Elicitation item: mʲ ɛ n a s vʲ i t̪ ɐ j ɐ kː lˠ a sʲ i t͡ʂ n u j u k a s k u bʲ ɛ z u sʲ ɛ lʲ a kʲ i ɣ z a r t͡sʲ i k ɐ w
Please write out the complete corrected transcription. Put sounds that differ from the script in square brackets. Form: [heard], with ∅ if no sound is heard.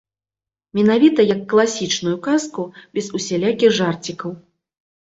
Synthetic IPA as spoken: mʲ ɛ n a [∅] vʲ i t̪ ɐ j ɐ kː lˠ a sʲ i t͡ʂ n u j u k a s k u bʲ ɛ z u sʲ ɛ lʲ a kʲ i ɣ [ʐ] a r t͡sʲ i k ɐ w